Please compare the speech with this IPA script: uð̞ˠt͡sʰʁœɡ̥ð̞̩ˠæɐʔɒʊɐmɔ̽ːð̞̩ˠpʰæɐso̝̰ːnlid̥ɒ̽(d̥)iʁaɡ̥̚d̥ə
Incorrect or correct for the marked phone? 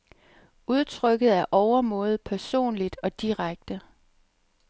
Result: correct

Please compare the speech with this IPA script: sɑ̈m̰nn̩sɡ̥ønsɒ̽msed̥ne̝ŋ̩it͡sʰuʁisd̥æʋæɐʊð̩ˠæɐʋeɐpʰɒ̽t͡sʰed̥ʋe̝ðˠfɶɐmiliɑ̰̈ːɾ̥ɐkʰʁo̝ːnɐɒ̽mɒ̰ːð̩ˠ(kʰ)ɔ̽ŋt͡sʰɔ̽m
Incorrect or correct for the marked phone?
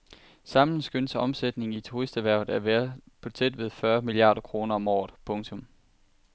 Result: incorrect: pʰ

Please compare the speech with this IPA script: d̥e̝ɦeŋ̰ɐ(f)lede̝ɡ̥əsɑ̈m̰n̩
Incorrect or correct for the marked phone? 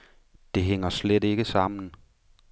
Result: incorrect: s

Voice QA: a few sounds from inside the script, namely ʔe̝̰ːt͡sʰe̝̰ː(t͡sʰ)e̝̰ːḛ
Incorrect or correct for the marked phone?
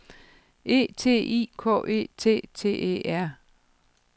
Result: correct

